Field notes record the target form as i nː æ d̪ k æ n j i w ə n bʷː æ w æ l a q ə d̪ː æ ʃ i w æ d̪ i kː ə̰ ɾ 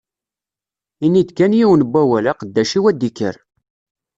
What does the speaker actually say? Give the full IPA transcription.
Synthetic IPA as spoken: i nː i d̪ k æ n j i w ə n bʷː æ w æ l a q ə d̪ː æ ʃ i w æ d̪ i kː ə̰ ɾ